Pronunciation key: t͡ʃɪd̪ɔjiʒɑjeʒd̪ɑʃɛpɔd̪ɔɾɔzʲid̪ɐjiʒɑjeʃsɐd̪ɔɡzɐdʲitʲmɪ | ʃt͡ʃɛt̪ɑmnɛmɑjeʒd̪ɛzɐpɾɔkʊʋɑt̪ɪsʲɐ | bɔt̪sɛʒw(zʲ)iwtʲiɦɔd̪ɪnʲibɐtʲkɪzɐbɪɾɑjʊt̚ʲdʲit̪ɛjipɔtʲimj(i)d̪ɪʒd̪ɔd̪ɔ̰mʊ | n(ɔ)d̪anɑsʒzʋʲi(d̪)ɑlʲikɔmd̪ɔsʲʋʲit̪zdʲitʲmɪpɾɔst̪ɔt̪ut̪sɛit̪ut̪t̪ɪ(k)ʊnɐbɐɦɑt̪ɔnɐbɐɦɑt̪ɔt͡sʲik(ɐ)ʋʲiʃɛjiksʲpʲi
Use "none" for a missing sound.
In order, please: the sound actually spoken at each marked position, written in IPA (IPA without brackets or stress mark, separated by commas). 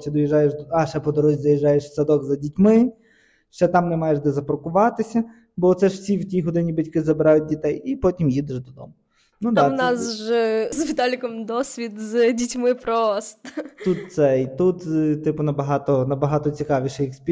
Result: sʲ, i, u, t̪, p, ɑ